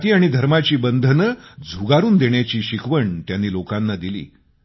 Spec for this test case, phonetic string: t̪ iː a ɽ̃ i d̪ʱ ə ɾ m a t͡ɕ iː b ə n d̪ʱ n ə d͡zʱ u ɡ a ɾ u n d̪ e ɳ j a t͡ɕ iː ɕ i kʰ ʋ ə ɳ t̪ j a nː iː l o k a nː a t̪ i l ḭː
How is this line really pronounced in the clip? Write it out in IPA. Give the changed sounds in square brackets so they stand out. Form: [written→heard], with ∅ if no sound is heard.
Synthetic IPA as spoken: t̪ iː a ɽ̃ i d̪ʱ ə ɾ m a t͡ɕ iː b ə n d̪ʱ n ə d͡zʱ u ɡ a ɾ [u→uː] n d̪ e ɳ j a t͡ɕ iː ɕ i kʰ ʋ ə ɳ t̪ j a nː iː l o k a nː a [t̪→d̪] i l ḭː